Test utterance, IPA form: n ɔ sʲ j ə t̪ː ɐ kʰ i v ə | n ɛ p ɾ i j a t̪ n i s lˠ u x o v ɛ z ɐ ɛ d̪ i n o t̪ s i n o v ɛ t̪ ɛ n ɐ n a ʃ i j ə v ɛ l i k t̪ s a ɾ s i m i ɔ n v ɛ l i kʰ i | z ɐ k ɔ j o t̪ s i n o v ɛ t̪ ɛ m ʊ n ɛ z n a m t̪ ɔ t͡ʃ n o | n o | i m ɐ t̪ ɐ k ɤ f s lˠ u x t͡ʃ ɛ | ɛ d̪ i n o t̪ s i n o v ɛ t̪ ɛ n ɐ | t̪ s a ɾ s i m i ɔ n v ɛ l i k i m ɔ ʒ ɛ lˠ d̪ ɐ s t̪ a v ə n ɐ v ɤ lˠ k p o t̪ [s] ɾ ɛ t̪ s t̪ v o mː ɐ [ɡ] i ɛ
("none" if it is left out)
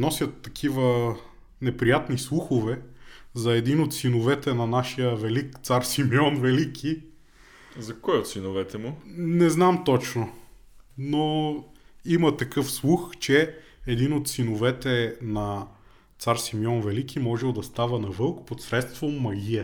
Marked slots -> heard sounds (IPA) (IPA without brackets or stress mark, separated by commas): s, ɡ